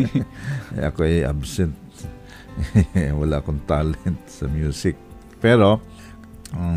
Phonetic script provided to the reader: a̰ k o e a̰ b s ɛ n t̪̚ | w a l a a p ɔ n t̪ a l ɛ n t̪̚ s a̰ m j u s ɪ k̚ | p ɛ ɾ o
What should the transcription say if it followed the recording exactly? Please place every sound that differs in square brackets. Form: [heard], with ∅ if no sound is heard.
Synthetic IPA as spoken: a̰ k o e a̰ b s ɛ n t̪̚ | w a l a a [k] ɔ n t̪ a l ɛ n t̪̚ s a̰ m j u s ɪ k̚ | p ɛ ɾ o